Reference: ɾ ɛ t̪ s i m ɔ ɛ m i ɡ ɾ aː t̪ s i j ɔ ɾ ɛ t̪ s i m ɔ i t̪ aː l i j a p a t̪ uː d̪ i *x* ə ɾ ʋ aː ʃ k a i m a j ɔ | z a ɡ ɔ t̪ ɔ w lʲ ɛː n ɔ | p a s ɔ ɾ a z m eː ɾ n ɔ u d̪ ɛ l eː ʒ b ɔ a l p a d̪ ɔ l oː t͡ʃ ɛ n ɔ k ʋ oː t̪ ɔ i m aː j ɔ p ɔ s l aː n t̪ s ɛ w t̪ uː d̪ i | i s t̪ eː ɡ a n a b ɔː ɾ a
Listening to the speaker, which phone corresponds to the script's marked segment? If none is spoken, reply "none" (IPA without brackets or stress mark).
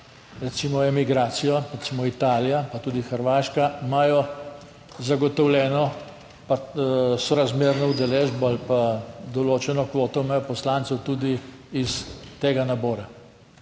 x